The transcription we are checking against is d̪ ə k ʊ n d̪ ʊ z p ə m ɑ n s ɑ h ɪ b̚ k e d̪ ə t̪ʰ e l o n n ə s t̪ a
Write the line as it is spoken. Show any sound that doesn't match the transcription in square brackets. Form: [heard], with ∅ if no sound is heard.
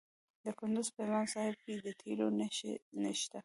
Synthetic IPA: d̪ ə k ʊ n d̪ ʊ z p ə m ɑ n s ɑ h ɪ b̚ k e d̪ ə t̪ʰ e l o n n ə [ʃ] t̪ a